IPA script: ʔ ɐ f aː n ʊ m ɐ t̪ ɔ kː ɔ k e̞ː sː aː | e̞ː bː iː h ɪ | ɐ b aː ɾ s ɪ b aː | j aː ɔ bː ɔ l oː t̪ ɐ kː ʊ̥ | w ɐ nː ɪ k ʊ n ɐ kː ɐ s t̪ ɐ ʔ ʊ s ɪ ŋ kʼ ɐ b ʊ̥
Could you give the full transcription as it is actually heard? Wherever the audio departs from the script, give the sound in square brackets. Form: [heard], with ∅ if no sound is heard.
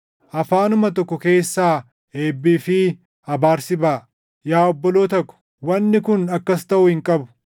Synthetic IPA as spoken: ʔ ɐ f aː n ʊ m ɐ t̪ ɔ kː ɔ k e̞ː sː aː | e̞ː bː iː [f] ɪ | ɐ b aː ɾ s ɪ b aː | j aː ɔ bː ɔ l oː t̪ ɐ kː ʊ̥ | w ɐ nː ɪ k ʊ n ɐ kː ɐ s t̪ ɐ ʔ ʊ [h] ɪ ŋ kʼ ɐ b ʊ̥